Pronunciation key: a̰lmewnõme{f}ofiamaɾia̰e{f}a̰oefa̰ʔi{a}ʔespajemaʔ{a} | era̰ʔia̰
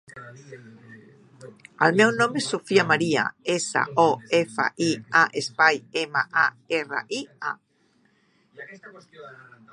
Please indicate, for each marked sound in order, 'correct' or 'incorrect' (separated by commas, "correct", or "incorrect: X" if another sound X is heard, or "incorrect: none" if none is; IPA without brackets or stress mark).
incorrect: s, incorrect: s, correct, correct